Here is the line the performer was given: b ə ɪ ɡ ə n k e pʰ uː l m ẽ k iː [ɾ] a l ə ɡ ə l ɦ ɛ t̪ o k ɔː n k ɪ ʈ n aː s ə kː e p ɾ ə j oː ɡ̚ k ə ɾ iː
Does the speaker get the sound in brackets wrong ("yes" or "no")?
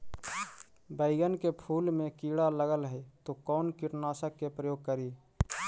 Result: yes